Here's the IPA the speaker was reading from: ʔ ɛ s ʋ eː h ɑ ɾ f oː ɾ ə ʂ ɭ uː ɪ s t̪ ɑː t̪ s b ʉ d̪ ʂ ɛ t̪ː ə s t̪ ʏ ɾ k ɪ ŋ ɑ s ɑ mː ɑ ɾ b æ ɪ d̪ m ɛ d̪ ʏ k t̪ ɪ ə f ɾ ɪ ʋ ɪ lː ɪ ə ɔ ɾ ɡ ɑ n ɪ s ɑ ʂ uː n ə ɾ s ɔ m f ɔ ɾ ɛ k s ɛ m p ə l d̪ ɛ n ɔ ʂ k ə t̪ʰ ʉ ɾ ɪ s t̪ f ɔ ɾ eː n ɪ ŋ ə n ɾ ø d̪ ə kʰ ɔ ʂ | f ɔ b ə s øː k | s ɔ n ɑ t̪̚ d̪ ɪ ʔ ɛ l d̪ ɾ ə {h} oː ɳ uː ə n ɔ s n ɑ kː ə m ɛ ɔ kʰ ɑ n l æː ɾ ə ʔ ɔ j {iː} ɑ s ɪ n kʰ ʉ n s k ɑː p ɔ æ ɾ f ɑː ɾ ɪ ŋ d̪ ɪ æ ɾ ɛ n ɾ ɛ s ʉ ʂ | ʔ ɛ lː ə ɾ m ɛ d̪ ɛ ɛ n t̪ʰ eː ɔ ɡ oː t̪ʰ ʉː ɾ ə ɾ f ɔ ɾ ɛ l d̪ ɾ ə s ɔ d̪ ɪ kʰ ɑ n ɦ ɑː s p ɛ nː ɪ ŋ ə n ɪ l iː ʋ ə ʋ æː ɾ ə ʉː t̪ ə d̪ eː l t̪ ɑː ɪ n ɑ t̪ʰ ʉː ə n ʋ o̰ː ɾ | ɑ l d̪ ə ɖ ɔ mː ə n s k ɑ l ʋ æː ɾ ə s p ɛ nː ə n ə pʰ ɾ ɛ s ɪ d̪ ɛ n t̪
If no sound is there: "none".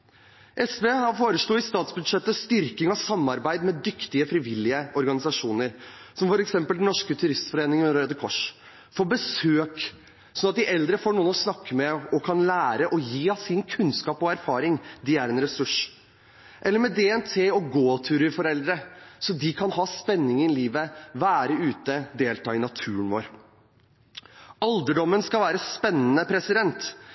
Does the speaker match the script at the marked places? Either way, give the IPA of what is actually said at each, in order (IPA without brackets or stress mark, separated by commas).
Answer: f, iː